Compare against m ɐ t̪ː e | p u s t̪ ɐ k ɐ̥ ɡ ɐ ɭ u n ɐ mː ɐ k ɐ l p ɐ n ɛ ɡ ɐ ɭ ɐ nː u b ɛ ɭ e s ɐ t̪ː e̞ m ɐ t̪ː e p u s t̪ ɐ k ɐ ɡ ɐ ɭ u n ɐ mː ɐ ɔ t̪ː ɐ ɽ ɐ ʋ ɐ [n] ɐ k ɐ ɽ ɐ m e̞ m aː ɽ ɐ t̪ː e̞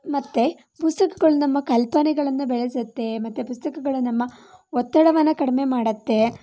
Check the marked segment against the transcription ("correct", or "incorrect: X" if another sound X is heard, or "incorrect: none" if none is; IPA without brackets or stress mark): incorrect: nː